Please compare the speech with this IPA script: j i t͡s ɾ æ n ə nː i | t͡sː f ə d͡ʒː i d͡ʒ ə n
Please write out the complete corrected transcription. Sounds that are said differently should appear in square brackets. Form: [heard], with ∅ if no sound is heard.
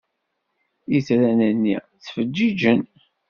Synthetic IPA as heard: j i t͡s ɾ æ n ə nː i | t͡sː f ə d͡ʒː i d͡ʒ ə n